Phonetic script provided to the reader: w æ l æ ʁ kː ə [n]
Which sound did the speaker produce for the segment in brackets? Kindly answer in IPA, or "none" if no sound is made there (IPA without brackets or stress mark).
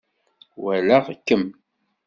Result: m